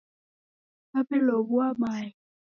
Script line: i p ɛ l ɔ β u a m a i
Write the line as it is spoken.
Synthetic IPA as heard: a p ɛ l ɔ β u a m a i

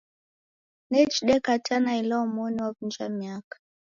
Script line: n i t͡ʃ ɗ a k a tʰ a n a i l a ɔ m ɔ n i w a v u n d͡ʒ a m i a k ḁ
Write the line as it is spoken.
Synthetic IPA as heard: n ɛ t͡ʃ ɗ ɛ k a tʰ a n a i l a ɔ m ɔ n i w a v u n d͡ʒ a m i a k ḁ

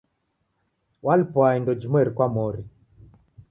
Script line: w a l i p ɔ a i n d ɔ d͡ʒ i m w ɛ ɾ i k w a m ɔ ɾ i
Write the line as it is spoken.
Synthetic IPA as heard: w a l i p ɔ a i n d ɔ d͡ʒ i m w ɛ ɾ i k w a m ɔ ɾ i

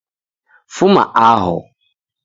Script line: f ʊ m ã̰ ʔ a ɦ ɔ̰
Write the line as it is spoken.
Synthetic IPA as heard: f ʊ m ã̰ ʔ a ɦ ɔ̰

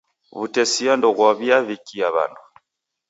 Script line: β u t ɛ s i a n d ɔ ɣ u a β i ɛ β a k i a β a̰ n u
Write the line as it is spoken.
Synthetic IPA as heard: β u t ɛ s i a n d ɔ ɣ w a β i a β i k i a β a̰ n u

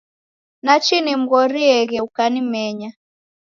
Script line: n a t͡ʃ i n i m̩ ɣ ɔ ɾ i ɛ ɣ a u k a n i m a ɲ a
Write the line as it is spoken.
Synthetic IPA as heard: n a t͡ʃ i n i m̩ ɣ ɔ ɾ i ɛ ɣ ɛ u k a n i m ɛ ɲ a

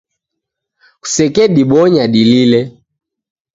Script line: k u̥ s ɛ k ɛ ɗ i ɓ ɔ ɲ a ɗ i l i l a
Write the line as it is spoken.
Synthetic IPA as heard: k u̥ s ɛ k ɛ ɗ i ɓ ɔ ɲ a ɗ i l i l ɛ

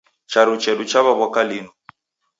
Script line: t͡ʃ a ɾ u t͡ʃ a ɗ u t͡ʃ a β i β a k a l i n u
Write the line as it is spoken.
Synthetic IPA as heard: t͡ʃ a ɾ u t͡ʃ ɛ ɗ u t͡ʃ a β a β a k a l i n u

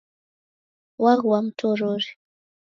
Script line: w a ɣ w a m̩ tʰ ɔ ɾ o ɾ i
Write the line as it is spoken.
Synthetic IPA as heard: w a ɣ w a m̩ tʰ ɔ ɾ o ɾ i

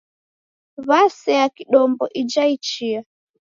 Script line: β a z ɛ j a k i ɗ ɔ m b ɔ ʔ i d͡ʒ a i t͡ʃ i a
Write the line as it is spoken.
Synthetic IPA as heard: β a s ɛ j a k i ɗ ɔ m b ɔ ʔ i d͡ʒ a i t͡ʃ i a

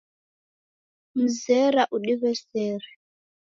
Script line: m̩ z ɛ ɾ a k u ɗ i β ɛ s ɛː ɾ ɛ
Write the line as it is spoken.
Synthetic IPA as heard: m̩ z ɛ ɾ a ʔ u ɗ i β ɛ s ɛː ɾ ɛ

